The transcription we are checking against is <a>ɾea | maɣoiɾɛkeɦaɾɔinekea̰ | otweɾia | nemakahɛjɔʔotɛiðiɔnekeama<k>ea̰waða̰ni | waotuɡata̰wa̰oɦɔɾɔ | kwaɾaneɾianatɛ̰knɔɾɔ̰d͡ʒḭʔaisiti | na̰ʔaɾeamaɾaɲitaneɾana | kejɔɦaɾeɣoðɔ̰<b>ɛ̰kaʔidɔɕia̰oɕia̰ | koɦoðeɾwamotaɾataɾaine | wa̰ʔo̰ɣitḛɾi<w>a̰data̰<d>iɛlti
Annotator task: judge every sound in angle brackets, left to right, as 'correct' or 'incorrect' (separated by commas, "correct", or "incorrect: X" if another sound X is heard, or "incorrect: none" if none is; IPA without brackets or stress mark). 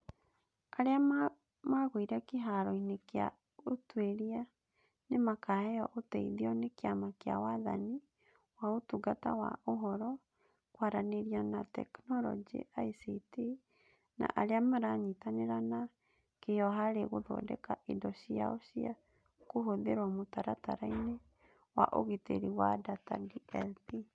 correct, correct, incorrect: d, correct, correct